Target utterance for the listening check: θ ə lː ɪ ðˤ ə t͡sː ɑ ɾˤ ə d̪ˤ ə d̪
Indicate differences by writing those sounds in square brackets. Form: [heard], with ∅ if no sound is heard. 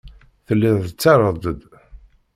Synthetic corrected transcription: θ ə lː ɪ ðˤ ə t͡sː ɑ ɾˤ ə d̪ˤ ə d̪